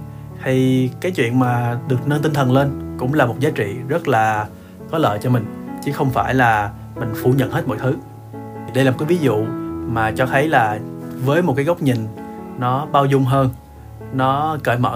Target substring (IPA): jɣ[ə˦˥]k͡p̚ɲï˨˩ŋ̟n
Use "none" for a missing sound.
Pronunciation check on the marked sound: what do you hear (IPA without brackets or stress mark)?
ə˦˥